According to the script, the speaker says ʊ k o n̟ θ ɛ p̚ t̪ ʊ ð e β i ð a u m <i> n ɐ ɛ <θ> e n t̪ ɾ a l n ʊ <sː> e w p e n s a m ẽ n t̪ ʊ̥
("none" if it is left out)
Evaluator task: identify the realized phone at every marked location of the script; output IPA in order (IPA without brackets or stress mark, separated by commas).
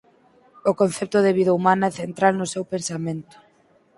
a, θ, s